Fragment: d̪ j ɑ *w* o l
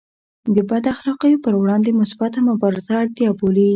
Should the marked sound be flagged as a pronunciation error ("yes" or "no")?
yes